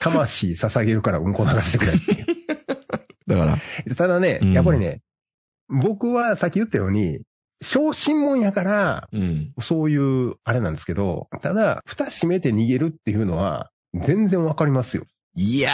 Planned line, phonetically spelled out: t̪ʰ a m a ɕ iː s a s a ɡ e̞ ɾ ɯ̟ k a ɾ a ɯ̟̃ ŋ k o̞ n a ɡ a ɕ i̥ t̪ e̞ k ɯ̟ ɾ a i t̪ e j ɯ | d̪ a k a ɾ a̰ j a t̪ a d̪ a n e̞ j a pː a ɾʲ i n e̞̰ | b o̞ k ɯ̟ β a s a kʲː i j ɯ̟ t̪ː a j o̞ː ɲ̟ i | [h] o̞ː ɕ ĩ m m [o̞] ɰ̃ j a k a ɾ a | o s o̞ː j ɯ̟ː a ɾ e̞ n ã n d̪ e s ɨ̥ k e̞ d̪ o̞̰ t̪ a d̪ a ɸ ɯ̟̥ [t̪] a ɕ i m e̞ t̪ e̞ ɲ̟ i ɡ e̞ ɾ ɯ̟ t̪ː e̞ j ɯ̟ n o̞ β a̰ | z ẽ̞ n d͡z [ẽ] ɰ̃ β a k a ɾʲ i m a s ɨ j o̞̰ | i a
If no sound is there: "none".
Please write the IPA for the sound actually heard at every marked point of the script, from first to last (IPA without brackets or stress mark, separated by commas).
ɕ, õ̞, t̪, ẽ